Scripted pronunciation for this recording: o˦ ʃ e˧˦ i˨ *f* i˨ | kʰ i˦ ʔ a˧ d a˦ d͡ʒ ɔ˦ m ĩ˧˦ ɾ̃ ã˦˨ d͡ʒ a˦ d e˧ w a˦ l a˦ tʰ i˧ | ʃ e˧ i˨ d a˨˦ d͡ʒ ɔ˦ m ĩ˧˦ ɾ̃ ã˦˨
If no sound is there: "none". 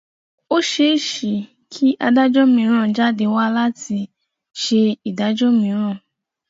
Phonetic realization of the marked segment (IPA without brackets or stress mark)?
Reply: ʃ